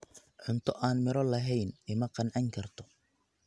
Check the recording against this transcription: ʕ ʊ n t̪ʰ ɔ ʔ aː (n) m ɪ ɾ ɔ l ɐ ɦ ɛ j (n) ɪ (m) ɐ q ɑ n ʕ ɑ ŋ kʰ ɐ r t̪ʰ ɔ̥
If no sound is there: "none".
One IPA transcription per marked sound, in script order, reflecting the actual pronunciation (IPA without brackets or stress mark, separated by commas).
n, n, m